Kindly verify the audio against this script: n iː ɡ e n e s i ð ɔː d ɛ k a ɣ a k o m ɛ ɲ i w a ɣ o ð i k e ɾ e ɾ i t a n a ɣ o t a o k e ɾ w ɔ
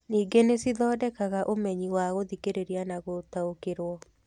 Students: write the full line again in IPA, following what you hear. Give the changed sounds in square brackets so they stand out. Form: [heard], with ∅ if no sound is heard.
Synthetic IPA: n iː ɡ e n e s i ð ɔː d ɛ k a ɣ a [ʔ] o m ɛ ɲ i w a ɣ o ð i k e ɾ e ɾ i [∅] a n a ɣ o t a o k e ɾ w ɔ